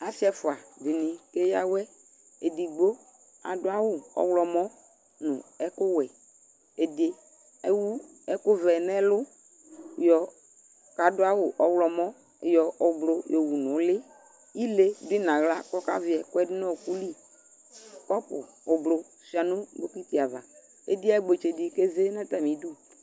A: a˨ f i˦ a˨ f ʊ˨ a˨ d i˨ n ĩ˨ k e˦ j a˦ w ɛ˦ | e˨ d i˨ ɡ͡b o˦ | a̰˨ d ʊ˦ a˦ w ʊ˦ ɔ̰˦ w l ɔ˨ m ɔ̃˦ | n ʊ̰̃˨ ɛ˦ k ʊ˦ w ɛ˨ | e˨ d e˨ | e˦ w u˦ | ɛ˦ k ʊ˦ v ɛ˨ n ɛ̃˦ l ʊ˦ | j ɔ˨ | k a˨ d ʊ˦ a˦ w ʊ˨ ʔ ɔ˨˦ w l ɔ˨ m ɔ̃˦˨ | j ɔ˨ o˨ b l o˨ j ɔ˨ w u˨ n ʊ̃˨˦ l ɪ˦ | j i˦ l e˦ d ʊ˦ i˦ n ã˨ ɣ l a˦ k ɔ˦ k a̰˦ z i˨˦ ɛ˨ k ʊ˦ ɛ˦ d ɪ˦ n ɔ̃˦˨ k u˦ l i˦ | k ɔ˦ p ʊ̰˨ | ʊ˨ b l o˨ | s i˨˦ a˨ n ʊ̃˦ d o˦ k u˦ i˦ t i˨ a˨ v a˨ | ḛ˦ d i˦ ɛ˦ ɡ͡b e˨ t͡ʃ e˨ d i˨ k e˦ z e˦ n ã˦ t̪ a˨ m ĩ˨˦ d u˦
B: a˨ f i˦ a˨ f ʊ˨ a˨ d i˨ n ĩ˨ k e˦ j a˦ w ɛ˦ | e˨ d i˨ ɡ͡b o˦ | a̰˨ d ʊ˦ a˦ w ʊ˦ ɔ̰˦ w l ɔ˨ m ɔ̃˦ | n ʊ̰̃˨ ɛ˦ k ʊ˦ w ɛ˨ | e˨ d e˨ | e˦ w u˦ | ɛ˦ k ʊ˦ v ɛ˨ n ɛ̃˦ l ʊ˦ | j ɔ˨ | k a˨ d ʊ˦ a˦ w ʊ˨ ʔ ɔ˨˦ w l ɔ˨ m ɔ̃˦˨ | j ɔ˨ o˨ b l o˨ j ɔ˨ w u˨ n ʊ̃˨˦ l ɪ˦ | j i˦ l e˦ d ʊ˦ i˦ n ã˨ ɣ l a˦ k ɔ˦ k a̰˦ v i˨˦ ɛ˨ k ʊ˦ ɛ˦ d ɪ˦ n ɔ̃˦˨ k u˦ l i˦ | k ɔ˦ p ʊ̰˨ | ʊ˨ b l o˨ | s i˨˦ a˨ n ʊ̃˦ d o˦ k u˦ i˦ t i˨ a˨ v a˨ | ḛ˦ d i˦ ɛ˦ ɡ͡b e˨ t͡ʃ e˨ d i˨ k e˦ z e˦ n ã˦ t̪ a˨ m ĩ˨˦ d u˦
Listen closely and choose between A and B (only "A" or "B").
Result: B